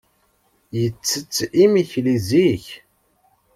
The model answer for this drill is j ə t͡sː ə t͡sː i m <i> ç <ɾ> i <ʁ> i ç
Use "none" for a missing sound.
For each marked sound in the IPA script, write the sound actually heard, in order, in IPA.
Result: i, l, z

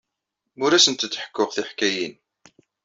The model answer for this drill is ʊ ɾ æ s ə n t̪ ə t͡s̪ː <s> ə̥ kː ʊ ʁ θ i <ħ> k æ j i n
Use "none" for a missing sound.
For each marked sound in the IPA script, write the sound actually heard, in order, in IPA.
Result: ħ, ħ

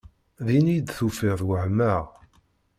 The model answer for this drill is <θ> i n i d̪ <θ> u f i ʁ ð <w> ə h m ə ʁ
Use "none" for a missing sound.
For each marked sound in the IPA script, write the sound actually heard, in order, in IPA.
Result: ð, θ, w

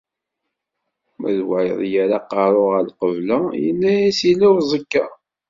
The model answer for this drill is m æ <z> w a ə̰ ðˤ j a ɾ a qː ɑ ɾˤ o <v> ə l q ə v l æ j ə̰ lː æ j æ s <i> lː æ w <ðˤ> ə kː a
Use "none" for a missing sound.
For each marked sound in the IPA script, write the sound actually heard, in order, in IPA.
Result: ð, ʁ, i, zˤ

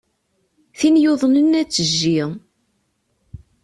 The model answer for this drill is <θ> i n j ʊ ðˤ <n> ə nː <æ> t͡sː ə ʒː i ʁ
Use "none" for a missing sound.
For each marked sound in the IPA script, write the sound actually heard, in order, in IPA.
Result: θ, n, æ

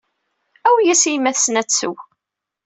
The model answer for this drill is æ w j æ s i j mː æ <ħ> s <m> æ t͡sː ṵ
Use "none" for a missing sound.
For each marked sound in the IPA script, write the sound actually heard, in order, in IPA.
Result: θ, n

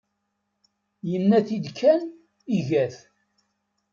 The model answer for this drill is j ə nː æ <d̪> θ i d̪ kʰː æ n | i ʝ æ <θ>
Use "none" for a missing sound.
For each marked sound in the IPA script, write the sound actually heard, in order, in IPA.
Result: none, θ

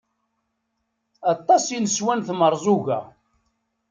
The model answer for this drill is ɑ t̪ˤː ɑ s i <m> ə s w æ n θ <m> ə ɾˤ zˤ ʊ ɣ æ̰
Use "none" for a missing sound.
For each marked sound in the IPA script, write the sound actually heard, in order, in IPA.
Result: n, m

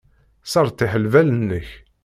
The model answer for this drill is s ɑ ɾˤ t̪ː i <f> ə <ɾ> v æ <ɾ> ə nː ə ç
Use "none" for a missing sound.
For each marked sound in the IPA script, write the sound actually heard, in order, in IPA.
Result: ħ, l, l

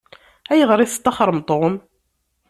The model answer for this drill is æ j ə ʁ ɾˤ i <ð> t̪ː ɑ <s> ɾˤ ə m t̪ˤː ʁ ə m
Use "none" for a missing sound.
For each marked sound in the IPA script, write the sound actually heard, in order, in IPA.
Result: θ, χ

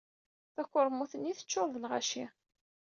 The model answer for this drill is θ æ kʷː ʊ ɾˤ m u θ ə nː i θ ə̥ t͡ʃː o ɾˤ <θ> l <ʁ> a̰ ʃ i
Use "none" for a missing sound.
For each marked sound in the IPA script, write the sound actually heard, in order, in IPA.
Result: ð, ʁ

